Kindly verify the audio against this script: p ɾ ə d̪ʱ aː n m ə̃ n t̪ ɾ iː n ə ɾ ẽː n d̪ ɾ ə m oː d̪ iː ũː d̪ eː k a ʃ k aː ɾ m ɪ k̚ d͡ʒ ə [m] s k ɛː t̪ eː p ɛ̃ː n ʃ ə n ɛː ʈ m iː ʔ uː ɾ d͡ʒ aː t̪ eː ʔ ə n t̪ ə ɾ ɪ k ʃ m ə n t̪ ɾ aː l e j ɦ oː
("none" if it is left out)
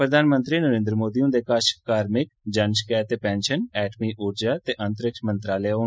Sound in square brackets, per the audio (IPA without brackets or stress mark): n